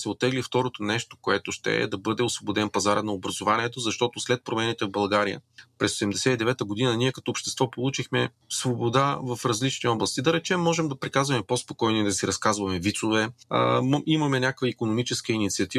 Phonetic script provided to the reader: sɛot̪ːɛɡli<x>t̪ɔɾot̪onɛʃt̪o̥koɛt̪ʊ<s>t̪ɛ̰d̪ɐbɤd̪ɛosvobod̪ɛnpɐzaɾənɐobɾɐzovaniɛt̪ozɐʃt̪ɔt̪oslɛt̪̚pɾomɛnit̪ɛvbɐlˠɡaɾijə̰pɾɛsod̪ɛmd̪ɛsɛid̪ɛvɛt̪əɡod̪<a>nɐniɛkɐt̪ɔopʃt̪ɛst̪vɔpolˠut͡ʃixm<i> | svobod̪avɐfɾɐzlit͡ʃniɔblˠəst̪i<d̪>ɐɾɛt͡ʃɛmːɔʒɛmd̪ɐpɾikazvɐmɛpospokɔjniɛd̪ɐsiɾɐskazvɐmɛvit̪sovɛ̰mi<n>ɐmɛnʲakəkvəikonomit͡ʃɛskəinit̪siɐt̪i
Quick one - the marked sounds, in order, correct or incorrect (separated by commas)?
incorrect, incorrect, incorrect, incorrect, correct, incorrect